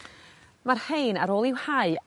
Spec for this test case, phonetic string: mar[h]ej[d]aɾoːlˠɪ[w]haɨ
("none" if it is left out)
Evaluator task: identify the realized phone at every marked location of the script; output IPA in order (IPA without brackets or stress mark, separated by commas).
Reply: h, n, w